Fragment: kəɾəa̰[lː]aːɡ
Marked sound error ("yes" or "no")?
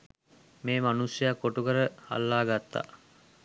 no